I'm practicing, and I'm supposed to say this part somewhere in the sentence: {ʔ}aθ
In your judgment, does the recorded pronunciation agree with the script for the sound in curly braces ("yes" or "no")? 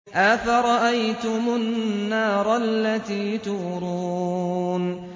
yes